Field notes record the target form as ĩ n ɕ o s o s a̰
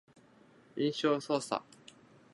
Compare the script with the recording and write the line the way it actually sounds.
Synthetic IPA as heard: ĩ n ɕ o s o s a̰